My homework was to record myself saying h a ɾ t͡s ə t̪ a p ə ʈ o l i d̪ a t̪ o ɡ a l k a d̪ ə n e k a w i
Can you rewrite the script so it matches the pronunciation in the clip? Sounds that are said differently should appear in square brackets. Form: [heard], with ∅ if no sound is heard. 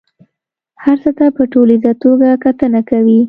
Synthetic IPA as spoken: h a ɾ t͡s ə t̪ a p ə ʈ o l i d̪ a t̪ o ɡ a [∅] k a [t̪] ə n [a] k a w i